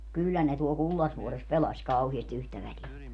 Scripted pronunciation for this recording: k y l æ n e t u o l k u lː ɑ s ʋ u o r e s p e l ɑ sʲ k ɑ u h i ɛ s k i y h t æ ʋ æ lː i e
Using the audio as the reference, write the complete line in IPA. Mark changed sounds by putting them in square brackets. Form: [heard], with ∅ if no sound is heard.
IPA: k y [lː] æ n e t u o l k u lː ɑ s ʋ u o r e s p e l ɑ sʲ k ɑ u h i [e] s [t] i y h t æ ʋ æ [l] i e